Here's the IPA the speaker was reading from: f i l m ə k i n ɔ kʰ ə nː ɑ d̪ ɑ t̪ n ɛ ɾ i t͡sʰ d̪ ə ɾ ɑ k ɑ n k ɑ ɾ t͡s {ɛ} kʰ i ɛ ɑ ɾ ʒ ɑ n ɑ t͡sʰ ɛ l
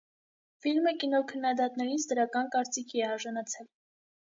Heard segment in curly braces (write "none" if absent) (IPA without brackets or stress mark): i